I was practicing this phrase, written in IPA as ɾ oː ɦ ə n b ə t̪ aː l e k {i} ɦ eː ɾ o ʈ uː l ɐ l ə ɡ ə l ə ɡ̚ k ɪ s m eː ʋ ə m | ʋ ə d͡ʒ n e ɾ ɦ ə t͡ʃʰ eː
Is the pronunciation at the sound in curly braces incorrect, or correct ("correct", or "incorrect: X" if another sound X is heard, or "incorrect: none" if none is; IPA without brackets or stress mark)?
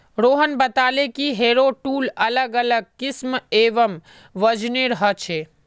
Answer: correct